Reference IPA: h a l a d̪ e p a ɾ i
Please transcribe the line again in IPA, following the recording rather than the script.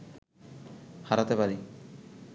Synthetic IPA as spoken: h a ɾ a t̪ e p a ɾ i